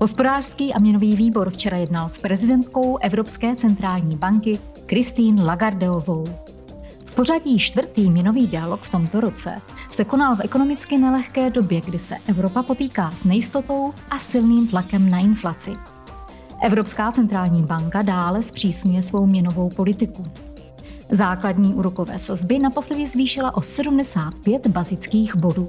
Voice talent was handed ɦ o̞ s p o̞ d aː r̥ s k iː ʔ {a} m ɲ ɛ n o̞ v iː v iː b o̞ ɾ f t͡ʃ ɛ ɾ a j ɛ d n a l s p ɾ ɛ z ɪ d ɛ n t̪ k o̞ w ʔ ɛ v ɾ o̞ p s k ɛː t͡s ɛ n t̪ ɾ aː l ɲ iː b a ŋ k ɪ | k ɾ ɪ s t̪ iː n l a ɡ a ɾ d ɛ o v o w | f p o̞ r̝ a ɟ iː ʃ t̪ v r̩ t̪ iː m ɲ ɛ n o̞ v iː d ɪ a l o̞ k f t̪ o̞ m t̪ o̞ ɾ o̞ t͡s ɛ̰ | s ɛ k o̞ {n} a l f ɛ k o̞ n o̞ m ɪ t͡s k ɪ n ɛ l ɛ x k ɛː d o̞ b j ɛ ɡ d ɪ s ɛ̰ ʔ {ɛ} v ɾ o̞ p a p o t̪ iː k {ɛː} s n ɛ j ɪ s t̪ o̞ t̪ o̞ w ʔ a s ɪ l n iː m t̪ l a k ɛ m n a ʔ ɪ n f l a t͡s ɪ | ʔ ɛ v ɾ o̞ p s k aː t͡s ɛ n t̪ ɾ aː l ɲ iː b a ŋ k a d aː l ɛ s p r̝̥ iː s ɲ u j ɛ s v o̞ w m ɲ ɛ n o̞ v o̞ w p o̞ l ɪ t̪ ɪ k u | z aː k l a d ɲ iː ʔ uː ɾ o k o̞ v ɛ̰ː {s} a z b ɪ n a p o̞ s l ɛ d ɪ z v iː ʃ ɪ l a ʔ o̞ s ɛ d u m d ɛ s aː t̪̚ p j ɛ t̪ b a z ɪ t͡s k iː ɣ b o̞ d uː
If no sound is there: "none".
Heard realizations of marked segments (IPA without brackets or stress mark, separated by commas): a, n, ɛ, aː, s